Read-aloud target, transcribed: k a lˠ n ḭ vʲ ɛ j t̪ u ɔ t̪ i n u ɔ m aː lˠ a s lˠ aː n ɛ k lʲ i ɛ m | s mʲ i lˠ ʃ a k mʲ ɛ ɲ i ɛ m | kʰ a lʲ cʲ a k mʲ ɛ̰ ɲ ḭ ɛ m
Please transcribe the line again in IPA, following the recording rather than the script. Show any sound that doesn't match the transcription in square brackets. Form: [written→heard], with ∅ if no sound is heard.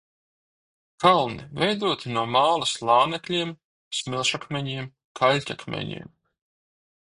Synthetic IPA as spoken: k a lˠ n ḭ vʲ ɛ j [t̪→d̪] u ɔ t̪ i n u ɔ m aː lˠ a s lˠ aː n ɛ k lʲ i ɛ m | s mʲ i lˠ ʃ a k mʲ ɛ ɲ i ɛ m | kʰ a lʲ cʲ a k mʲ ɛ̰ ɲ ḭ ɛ m